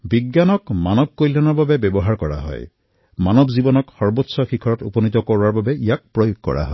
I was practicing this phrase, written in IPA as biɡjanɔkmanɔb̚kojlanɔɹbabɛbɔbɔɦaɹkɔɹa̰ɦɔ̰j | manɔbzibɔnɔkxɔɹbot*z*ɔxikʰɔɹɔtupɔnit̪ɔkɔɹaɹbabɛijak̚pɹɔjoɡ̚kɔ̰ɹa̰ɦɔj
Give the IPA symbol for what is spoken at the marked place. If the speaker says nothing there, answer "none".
s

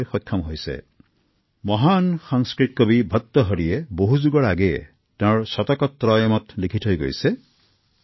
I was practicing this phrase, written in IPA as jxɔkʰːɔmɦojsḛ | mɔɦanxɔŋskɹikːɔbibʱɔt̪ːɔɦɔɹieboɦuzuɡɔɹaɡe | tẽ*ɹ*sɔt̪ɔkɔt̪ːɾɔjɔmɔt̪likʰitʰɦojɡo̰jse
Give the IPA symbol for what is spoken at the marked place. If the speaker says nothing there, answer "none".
ɹ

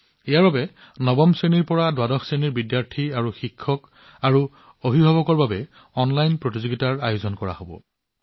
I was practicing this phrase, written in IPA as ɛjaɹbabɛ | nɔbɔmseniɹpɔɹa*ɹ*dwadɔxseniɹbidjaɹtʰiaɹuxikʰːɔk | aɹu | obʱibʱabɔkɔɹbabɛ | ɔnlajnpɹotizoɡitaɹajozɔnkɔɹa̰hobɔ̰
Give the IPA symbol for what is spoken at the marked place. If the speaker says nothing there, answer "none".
none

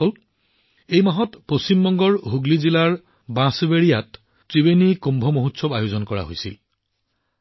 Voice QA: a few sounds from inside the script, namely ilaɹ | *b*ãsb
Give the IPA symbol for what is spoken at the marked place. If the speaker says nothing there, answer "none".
b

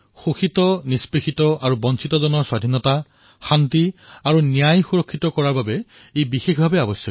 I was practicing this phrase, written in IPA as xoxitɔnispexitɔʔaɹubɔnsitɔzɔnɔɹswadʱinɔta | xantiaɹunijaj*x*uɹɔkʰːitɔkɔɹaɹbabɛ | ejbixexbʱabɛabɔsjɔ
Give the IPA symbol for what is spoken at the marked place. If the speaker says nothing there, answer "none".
x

